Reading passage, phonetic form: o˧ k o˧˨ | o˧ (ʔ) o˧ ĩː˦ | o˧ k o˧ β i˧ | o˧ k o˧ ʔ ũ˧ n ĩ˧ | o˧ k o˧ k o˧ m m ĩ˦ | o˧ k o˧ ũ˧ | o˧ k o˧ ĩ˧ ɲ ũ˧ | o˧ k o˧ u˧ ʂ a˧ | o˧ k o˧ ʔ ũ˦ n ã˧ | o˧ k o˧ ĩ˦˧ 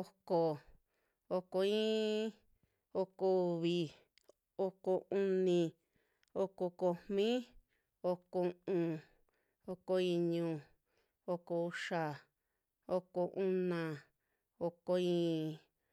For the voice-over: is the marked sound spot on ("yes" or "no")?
no